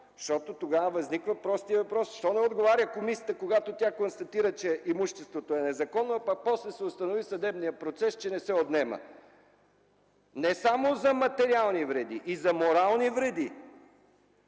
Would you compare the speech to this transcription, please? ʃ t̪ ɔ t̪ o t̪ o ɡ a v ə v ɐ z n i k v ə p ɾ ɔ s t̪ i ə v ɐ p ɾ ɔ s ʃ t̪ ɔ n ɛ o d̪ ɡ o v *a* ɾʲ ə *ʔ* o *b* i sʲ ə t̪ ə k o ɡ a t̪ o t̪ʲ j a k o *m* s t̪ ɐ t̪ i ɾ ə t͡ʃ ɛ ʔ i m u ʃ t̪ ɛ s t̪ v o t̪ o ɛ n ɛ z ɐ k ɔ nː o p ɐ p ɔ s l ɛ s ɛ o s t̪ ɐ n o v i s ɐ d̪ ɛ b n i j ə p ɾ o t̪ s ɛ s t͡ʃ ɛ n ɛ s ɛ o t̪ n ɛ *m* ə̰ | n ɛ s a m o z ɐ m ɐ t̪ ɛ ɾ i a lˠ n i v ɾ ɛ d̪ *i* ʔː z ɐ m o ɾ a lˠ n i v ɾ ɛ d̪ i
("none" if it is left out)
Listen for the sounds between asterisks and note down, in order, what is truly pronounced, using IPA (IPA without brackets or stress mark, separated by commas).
a, k, m, n, m, i